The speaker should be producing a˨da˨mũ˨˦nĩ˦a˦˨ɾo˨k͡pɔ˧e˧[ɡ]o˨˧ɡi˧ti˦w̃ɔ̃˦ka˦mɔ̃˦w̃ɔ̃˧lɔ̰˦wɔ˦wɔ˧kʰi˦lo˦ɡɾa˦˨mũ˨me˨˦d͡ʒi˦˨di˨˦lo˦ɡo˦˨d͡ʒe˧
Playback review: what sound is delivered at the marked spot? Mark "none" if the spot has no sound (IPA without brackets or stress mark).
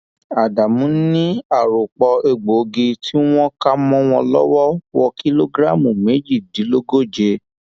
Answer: ɡ͡b